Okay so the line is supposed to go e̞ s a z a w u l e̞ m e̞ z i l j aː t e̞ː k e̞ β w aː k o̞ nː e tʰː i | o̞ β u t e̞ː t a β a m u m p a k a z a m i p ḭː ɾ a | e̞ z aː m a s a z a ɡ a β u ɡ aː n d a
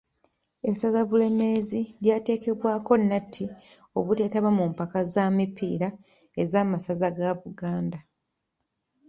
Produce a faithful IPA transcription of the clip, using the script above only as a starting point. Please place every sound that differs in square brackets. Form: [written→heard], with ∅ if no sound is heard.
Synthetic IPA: e̞ s a z a [w→β] u l e̞ m e̞ z i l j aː t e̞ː k e̞ β w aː k o̞ nː [e→a] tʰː i | o̞ β u t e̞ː t a β a m u m p a k a z a m i p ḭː ɾ a | e̞ z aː m a s a z a ɡ a β u ɡ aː n d a